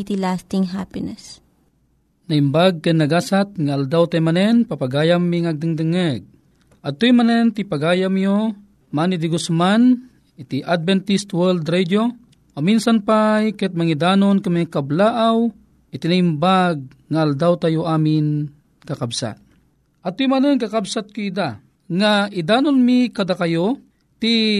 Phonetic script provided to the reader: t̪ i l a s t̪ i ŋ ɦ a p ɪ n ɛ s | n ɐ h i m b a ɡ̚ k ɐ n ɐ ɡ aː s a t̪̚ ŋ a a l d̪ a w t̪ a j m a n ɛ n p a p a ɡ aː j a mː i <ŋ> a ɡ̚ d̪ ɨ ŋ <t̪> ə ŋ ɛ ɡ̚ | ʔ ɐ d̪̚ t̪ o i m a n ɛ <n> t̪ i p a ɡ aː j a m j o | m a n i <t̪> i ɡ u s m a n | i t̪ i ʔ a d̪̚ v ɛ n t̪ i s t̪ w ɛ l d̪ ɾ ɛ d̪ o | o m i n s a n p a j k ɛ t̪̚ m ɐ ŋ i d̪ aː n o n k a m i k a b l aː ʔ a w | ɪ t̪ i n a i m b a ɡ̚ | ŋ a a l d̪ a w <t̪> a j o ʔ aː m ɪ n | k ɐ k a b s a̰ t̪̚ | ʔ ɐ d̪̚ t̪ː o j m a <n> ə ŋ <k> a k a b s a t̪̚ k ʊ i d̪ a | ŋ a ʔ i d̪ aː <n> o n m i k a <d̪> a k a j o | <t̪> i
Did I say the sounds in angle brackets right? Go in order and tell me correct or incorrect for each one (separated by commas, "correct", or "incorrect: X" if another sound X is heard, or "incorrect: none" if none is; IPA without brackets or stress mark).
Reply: correct, incorrect: d̪, correct, incorrect: d̪, correct, correct, correct, correct, correct, correct